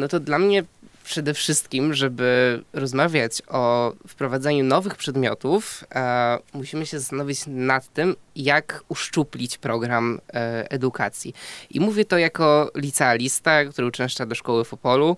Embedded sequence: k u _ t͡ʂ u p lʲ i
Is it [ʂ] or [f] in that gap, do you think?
ʂ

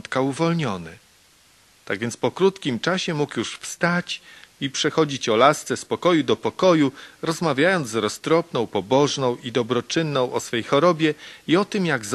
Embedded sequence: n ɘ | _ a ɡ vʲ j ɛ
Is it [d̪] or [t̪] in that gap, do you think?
t̪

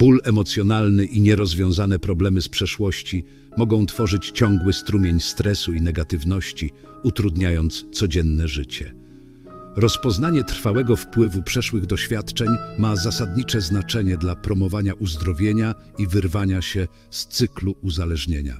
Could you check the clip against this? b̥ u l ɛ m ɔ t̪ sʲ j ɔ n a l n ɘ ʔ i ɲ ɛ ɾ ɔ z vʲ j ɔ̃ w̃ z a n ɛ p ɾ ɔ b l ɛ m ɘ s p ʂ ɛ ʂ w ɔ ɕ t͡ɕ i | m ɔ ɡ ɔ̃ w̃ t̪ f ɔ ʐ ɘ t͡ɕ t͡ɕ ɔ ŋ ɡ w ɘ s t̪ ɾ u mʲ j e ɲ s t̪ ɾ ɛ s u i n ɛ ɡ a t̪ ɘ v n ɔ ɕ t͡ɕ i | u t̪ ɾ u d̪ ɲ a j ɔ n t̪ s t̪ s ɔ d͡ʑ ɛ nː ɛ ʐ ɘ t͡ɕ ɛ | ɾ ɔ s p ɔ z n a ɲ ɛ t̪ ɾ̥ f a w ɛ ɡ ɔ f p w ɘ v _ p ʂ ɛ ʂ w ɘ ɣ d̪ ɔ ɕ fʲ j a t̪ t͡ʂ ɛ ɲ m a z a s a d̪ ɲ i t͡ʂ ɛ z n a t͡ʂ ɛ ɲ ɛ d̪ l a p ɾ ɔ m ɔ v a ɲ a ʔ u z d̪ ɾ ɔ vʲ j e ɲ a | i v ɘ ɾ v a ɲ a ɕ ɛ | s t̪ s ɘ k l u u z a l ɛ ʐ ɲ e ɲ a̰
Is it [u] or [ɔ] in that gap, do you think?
u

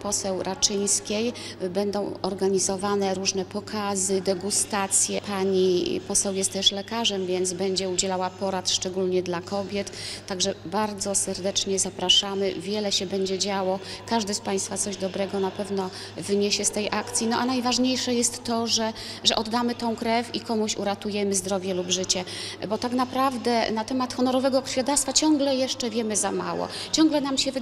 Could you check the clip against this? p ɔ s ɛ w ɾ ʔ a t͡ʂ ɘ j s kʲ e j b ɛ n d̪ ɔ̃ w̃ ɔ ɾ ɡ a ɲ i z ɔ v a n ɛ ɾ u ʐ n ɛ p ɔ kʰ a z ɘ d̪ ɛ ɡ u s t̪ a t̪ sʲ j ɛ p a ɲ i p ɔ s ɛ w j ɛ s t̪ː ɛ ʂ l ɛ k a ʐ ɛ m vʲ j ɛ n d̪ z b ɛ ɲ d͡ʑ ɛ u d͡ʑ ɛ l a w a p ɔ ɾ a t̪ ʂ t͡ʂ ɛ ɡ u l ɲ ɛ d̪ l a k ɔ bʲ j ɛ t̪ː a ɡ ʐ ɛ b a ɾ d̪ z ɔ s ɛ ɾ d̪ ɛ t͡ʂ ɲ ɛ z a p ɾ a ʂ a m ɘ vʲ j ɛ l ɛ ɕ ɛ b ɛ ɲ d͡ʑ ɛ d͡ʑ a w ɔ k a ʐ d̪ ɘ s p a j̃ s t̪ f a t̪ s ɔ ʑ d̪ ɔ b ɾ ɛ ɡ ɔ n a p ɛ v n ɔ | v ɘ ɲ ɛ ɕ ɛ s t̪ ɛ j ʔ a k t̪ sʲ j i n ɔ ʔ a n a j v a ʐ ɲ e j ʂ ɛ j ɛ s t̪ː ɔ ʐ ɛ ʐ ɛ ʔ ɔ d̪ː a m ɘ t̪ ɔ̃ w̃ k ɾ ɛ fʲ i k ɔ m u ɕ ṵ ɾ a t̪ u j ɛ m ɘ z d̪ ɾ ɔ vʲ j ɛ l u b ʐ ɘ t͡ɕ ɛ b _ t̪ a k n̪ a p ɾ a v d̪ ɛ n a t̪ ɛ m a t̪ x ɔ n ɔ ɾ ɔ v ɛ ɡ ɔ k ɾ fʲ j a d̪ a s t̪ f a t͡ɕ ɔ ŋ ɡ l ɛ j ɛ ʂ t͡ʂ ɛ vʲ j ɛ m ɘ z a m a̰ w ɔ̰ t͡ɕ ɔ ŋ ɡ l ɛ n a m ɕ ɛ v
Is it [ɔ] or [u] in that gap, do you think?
ɔ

